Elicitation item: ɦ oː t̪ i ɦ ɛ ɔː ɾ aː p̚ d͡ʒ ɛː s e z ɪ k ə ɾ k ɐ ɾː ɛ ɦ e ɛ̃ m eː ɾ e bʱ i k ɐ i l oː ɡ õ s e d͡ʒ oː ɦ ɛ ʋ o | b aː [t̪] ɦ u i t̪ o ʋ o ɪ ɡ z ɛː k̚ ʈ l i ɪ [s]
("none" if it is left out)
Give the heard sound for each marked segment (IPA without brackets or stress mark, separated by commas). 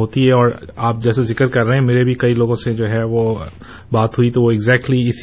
t̪, s